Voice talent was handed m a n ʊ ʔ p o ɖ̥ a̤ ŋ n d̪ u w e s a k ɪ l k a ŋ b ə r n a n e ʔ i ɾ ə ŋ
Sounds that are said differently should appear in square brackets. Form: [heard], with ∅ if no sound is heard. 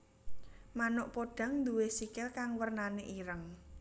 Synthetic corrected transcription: m a n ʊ ʔ p o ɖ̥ a̤ ŋ n d̪ u w e s [i] k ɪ l k a ŋ [w] ə r n a n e ʔ i ɾ ə ŋ